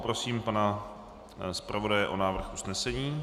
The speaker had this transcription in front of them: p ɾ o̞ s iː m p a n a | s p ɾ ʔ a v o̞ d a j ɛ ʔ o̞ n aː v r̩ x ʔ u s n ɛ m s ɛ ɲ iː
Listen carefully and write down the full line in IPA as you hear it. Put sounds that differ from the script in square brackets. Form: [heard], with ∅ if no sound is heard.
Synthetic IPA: p ɾ o̞ s iː m p a n a | s p ɾ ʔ a v o̞ d a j ɛ ʔ o̞ n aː v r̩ x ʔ u s n ɛ [∅] s ɛ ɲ iː